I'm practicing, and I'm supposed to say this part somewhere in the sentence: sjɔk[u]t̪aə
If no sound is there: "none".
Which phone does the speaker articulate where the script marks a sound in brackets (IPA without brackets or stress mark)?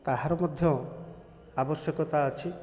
ɔ